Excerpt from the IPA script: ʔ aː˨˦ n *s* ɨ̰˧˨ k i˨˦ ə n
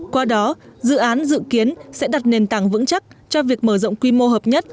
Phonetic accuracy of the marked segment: incorrect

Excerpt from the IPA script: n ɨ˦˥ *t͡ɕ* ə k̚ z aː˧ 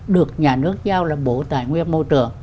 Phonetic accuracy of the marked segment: incorrect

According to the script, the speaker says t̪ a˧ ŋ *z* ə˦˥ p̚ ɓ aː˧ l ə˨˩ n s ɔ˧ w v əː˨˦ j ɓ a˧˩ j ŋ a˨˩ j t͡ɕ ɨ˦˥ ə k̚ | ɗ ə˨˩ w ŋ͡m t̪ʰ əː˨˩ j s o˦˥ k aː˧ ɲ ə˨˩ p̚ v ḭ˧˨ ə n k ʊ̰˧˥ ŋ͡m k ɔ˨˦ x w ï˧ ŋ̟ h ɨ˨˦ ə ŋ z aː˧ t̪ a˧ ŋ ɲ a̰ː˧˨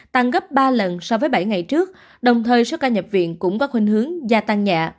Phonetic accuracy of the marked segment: incorrect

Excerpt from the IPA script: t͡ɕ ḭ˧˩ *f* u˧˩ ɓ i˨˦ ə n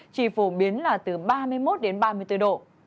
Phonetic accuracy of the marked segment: correct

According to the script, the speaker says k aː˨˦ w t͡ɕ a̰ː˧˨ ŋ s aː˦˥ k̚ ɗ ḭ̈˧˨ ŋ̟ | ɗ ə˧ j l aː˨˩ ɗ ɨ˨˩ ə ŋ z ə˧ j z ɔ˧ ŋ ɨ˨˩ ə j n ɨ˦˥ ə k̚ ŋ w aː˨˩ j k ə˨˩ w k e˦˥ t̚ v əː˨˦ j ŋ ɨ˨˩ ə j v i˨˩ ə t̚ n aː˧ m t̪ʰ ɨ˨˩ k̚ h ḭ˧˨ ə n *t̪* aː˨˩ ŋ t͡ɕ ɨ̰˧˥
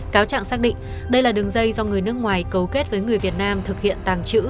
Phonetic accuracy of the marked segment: correct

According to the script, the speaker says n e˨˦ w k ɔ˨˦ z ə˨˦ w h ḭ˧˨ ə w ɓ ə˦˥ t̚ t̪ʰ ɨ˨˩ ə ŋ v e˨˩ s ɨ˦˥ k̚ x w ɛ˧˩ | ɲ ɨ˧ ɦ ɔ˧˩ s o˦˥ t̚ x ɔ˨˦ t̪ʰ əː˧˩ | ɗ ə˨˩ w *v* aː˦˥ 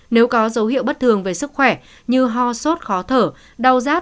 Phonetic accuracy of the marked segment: incorrect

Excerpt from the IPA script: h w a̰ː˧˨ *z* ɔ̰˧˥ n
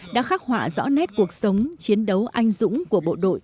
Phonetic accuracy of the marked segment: correct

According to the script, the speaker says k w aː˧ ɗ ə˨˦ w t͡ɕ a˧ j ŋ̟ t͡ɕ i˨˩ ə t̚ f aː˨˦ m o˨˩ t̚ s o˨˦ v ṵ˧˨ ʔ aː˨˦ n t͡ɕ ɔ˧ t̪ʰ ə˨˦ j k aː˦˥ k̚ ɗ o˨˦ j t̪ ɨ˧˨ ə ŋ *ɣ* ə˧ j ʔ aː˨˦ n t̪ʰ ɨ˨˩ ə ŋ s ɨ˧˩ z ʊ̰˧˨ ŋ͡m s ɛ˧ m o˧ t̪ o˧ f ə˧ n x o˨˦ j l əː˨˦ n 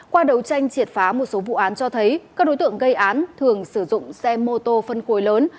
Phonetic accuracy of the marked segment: correct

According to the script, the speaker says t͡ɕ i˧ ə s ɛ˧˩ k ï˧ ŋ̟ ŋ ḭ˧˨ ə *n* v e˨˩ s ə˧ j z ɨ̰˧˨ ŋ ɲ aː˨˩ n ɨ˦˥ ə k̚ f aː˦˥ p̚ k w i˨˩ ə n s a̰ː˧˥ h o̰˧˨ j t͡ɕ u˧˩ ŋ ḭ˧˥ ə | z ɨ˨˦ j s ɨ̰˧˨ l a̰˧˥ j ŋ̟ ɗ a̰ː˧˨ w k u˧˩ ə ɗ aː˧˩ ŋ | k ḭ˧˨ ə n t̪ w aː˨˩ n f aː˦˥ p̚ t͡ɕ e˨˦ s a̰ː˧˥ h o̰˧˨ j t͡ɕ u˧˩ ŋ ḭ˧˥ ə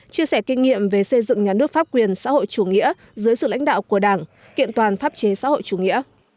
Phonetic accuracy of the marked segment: incorrect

